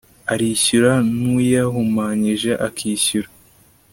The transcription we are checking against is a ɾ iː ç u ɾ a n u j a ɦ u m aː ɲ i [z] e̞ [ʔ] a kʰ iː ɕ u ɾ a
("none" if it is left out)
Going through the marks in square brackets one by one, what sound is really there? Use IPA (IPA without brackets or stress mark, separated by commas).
ʒ, ʔ